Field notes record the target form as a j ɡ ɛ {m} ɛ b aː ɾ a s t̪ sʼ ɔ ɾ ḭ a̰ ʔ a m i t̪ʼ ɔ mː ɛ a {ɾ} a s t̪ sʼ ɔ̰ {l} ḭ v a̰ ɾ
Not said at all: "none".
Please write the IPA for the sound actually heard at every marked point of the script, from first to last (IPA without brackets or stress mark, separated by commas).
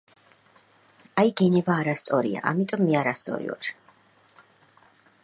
n, ɾ, ɾ